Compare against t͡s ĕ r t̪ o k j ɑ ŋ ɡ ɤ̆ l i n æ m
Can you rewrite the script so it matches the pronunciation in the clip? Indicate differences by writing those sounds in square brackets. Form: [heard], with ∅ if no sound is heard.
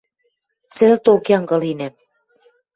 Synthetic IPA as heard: t͡s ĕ [l] t̪ o k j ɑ ŋ ɡ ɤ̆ l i n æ m